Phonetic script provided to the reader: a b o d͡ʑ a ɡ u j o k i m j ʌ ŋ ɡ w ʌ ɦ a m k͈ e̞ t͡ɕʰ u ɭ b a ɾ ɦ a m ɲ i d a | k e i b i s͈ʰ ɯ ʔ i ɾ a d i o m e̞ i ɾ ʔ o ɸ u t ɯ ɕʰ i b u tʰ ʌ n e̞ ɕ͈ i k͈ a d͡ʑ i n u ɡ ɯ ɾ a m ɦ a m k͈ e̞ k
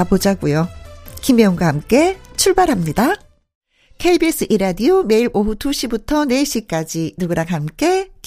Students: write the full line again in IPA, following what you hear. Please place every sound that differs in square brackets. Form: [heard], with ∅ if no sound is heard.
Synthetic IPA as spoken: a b o d͡ʑ a ɡ u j o k i m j ʌ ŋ ɡ w [a] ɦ a m k͈ e̞ t͡ɕʰ u ɭ b a ɾ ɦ a m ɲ i d a | [kʰ] e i b i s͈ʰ ɯ ʔ i ɾ a d i o m e̞ i ɾ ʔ o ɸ u t [u] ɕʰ i b u tʰ ʌ n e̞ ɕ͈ i k͈ a d͡ʑ i n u ɡ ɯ ɾ a [ŋ] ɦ a m k͈ e̞ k